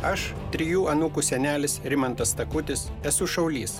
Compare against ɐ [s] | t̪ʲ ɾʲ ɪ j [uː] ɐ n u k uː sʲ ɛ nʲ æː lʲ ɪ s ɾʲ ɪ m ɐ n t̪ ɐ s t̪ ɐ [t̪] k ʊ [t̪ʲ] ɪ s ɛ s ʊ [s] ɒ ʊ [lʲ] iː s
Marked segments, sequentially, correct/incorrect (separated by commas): incorrect, correct, incorrect, correct, incorrect, correct